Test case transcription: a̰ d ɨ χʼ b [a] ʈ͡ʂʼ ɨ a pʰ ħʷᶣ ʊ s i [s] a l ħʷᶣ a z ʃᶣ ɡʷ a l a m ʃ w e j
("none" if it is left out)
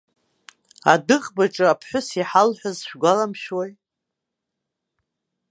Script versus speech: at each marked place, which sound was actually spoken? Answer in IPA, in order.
a, ħ

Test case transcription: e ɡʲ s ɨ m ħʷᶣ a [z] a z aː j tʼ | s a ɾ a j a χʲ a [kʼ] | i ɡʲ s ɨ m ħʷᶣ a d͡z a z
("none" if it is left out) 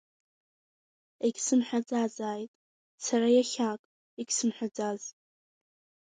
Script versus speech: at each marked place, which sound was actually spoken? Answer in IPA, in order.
d͡z, kʼ

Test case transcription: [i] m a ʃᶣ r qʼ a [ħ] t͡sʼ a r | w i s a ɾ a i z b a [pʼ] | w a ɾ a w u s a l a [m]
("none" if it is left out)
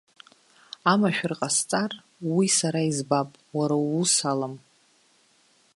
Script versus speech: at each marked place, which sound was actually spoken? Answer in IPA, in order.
a, s, pʼ, m

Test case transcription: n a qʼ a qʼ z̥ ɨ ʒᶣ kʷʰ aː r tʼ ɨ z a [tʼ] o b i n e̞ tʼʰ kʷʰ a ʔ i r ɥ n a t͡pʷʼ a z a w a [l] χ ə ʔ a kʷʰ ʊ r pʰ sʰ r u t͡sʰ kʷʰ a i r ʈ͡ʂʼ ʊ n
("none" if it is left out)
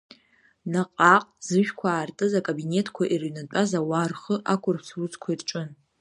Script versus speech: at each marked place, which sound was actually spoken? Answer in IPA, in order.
kʼ, r

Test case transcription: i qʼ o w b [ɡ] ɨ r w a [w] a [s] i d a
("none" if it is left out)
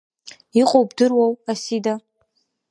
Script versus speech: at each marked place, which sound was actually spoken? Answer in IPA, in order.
d, w, s

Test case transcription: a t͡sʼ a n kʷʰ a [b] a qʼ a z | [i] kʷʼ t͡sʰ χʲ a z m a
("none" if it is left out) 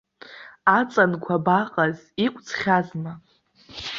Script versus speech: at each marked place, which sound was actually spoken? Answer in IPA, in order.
b, i

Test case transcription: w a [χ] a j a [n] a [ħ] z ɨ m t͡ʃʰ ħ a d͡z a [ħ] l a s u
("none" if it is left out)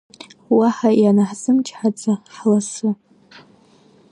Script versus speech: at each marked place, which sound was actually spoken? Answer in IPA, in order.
ħ, n, ħ, ħ

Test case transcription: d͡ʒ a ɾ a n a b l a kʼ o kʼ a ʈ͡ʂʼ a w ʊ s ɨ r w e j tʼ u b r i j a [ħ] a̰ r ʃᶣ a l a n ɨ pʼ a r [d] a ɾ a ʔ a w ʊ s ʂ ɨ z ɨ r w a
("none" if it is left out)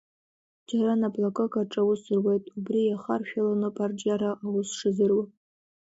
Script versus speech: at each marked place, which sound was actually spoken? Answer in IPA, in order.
χ, d͡ʒ

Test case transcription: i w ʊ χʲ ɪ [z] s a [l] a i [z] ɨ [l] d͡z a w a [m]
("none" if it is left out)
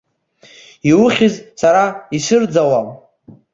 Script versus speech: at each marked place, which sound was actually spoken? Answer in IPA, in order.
z, ɾ, s, r, m

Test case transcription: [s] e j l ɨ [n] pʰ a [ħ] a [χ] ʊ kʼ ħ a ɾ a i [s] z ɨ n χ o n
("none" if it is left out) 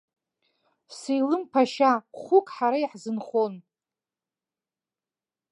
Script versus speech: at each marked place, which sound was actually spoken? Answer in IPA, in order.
s, m, ʃ, χ, ħ

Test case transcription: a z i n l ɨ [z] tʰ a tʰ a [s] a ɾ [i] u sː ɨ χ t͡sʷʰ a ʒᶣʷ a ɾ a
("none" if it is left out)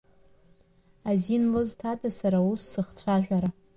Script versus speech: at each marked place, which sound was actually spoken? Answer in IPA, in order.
z, s, a

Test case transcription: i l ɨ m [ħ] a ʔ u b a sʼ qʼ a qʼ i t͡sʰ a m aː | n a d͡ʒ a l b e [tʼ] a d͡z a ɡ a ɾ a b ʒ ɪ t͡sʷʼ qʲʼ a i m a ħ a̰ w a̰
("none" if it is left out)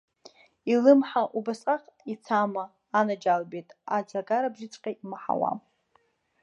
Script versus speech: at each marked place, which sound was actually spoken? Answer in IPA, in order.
ħ, tʼ

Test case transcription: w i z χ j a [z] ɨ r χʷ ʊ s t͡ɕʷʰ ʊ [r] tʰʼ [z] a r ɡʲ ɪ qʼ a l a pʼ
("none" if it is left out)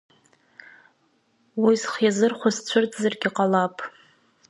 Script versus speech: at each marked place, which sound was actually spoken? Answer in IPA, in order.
z, r, z

